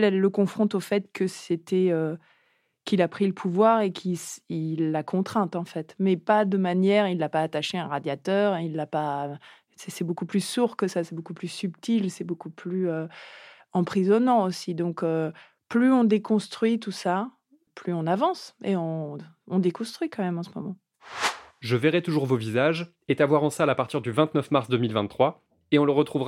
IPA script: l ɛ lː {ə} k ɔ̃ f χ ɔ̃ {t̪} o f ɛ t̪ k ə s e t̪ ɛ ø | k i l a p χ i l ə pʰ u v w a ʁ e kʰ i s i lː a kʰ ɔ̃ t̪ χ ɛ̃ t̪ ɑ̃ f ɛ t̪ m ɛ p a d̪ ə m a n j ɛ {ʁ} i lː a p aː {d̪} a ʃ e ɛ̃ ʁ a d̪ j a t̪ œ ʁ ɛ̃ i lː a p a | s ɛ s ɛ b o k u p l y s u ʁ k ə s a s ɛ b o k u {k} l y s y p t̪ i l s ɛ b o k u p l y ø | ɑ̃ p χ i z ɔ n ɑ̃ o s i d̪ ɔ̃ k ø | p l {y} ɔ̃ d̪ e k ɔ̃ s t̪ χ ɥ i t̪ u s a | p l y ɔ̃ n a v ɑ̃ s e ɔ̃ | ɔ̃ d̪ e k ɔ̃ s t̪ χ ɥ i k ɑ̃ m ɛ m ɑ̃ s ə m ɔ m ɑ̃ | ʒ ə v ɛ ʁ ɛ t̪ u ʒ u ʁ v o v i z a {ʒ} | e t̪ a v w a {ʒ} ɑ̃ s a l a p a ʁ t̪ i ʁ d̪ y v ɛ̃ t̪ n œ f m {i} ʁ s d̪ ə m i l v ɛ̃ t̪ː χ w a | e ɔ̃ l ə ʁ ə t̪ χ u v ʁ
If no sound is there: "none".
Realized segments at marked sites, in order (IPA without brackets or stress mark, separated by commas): ə, t̪, ʁ, t̪, p, y, ʒ, ʁ, a